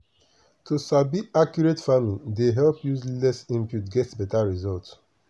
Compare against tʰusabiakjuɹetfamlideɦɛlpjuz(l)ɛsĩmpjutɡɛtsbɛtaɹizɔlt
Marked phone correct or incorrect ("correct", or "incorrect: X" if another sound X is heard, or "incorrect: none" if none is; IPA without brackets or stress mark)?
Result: correct